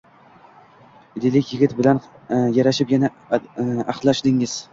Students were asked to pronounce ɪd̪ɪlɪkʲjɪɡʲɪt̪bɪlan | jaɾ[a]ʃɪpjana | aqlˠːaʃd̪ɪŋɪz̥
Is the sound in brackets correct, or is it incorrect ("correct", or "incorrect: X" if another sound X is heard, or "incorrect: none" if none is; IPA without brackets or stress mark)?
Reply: correct